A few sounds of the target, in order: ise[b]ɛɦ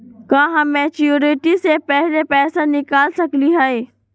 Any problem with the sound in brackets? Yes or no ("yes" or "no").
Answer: yes